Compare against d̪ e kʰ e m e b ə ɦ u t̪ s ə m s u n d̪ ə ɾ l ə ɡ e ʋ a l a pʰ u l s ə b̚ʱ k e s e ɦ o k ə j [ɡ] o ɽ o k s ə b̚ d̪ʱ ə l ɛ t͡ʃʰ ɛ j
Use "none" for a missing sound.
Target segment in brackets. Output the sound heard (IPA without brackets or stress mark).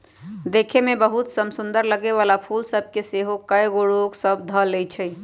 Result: ɡ